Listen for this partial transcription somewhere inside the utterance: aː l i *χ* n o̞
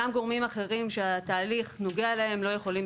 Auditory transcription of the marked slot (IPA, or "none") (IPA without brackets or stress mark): χ